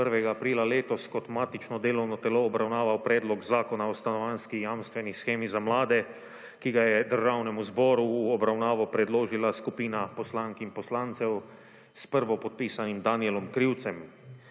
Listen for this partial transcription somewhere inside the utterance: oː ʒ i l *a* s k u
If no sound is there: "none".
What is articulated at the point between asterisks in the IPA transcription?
a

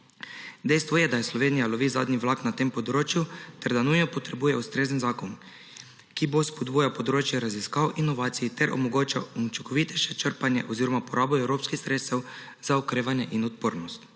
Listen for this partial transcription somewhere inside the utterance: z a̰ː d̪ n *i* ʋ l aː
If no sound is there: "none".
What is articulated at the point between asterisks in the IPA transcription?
i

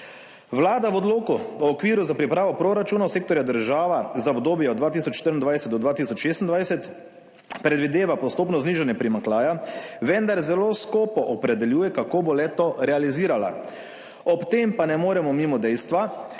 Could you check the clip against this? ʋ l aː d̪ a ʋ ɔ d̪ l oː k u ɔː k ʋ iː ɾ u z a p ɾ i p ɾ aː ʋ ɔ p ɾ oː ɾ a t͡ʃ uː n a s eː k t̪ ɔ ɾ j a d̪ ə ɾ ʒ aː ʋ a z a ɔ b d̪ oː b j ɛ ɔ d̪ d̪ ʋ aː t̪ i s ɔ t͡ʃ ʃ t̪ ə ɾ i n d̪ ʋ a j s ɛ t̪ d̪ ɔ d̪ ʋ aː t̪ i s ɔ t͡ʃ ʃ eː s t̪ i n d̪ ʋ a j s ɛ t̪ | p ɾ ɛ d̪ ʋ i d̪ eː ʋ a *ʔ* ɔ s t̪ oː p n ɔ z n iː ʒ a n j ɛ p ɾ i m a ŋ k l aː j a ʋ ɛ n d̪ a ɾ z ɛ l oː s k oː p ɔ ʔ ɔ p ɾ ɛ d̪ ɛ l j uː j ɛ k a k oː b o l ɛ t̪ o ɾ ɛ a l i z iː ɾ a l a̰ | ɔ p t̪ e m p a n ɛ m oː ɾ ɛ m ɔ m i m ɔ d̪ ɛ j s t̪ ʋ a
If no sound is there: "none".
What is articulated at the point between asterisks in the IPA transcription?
p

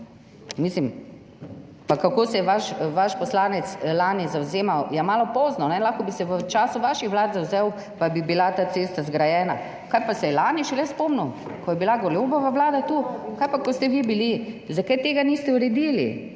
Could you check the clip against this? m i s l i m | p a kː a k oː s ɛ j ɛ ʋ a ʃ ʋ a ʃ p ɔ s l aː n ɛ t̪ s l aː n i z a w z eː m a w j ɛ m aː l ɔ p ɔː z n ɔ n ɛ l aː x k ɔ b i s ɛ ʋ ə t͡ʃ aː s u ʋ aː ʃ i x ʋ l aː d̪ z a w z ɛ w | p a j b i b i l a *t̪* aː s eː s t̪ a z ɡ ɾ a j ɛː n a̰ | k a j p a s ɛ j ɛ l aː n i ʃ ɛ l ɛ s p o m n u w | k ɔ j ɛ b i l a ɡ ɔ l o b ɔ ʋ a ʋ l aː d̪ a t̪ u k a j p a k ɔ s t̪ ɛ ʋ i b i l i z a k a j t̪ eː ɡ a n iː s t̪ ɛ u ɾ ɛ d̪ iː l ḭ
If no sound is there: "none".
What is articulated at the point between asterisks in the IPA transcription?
t̪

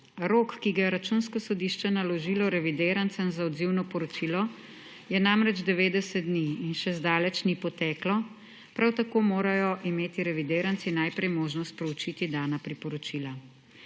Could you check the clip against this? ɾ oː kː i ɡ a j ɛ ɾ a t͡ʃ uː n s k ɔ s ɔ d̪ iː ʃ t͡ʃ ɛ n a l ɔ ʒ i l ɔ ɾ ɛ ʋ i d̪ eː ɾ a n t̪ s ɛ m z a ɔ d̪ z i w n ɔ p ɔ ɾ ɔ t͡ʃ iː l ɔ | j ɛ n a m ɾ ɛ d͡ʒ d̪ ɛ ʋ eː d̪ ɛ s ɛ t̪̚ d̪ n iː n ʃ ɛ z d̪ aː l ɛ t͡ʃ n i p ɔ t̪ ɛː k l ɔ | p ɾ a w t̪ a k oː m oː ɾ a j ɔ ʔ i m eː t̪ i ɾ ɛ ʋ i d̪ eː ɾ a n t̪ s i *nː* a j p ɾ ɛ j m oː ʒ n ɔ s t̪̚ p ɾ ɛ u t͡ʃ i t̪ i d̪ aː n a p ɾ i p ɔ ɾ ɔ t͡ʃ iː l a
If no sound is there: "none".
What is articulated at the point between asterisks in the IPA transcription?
n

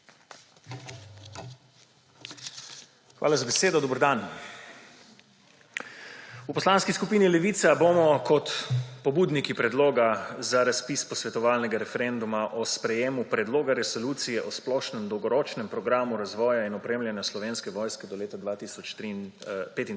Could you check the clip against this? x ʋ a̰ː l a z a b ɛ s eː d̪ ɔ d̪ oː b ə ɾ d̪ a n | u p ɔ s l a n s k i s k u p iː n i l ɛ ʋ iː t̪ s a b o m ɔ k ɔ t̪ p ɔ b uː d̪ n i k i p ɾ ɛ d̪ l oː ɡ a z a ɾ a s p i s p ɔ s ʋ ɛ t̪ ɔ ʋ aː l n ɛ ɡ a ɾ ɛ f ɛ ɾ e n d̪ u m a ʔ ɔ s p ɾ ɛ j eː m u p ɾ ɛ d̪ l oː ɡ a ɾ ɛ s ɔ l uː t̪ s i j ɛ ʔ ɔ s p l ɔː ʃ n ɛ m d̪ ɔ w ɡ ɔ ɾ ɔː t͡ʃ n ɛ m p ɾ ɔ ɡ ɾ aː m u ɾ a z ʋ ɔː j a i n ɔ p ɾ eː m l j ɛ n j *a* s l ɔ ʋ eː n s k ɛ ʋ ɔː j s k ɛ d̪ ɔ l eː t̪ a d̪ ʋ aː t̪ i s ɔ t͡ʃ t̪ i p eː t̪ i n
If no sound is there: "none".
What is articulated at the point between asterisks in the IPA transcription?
a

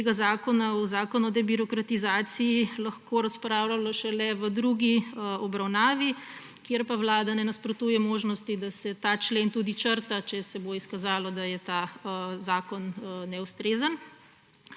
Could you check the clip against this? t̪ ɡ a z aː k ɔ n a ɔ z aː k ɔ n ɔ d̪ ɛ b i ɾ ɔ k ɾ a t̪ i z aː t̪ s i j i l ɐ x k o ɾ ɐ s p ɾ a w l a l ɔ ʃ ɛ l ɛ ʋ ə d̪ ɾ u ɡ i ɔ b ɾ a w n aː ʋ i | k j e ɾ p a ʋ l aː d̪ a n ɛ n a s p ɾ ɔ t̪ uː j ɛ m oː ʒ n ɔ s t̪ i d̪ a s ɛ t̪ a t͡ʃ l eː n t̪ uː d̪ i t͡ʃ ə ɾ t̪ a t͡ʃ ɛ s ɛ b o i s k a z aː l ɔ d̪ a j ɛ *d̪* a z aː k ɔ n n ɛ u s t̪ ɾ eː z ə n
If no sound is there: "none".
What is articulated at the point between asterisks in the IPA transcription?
t̪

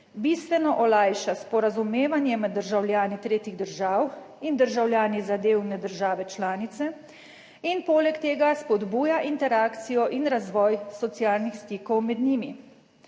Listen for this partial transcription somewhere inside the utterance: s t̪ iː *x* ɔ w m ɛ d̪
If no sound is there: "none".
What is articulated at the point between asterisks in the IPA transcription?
k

